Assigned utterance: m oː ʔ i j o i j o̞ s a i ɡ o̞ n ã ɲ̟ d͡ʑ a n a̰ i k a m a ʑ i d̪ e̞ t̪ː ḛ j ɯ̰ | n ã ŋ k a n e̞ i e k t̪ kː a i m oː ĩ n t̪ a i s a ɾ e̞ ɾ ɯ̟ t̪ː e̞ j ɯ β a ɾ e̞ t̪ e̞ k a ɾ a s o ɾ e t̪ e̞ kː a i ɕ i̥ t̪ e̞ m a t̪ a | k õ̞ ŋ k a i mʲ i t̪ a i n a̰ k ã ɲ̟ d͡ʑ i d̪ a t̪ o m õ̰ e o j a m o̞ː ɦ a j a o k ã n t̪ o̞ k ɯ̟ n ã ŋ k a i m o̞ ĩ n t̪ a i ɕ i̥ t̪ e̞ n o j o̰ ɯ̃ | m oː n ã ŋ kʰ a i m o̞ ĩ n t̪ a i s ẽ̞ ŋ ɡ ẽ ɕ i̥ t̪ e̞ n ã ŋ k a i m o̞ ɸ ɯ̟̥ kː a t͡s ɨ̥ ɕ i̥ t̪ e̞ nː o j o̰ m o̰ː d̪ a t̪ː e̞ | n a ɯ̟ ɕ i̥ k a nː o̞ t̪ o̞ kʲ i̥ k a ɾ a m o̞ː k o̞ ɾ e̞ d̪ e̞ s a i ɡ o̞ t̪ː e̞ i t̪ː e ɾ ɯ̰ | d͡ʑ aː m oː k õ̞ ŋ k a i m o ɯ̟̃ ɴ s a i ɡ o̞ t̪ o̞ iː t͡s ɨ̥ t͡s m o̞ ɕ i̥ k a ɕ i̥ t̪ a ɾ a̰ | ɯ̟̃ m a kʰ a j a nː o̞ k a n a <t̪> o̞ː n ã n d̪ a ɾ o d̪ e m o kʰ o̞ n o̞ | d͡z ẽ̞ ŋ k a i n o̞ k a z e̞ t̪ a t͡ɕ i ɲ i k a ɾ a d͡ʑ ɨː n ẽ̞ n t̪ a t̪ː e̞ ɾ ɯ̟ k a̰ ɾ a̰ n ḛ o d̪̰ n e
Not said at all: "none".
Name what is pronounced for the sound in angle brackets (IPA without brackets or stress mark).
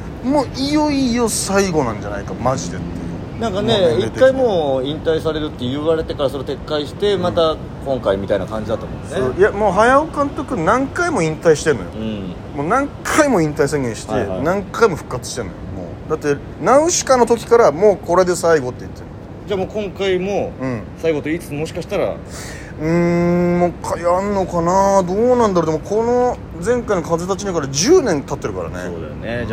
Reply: d̪